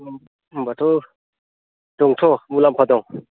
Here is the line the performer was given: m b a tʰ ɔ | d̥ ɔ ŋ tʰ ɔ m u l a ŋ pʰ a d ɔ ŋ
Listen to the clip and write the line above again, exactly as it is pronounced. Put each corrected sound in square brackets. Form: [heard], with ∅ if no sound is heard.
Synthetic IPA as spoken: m b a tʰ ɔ | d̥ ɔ ŋ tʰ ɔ m u l a [m] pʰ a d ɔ ŋ